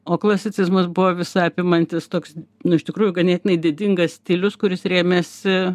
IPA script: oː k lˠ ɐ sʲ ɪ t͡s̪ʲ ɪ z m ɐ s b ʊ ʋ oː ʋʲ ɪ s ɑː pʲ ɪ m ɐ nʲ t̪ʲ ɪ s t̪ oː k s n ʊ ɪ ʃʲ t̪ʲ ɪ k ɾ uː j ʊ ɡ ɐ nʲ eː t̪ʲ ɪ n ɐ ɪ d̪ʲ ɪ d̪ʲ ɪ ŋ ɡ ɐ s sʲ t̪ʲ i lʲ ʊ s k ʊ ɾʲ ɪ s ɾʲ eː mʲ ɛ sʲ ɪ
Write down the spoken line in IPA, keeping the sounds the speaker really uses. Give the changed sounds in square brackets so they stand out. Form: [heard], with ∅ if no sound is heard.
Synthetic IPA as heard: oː k lˠ ɐ sʲ ɪ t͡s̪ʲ ɪ z m ɐ s b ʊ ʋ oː ʋʲ ɪ s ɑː pʲ ɪ m ɐ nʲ t̪ʲ ɪ s t̪ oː k s n ʊ ɪ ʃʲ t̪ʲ ɪ k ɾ uː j ʊ ɡ ɐ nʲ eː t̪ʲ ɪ n ɐ ɪ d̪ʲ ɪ d̪ʲ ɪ ŋ ɡ ɐ s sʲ t̪ʲ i lʲ ʊ s k ʊ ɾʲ ɪ s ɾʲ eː mʲ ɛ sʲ ɪ